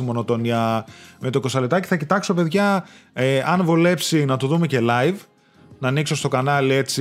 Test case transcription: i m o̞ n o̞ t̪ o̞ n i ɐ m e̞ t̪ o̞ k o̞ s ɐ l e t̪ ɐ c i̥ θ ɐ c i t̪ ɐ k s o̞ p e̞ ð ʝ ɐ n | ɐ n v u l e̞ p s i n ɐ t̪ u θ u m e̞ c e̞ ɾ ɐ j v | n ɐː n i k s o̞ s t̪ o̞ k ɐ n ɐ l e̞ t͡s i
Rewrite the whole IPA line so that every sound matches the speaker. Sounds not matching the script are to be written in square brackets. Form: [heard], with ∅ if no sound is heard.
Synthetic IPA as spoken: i m o̞ n o̞ t̪ o̞ n i ɐ m e̞ t̪ o̞ k o̞ s ɐ l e t̪ ɐ c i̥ θ ɐ c i t̪ ɐ k s o̞ p e̞ ð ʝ ɐ [∅] | ɐ n v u l e̞ p s i n ɐ t̪ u [ð] u m e̞ c e̞ [l] ɐ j v | n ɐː n i k s o̞ s t̪ o̞ k ɐ n ɐ l e̞ t͡s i